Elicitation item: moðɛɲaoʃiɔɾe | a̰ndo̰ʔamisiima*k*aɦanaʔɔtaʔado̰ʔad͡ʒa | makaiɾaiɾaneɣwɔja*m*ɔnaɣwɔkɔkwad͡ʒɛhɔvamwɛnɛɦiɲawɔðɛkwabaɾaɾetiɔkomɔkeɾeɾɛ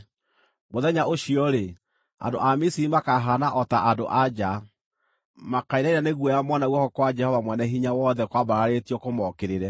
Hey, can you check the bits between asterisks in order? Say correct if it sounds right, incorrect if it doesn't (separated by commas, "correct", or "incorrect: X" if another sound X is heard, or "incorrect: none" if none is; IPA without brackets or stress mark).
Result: correct, correct